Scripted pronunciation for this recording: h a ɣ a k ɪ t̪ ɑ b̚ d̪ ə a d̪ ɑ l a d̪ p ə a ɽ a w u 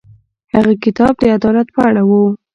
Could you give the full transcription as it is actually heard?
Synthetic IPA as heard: h a ɣ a k ɪ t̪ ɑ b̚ d̪ ə a d̪ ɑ l a t̪ p ə a ɽ a w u